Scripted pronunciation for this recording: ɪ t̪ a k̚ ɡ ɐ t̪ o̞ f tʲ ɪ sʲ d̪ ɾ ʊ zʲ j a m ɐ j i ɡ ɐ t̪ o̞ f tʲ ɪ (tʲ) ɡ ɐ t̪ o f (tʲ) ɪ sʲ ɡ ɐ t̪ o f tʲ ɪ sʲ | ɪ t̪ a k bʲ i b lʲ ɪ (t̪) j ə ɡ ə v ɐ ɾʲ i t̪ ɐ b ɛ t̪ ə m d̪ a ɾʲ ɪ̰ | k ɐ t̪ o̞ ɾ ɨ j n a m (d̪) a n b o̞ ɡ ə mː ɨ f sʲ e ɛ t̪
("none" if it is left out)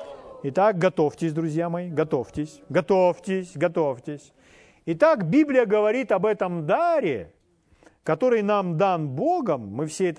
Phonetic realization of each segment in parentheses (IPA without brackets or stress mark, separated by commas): sʲ, tʲ, none, d̪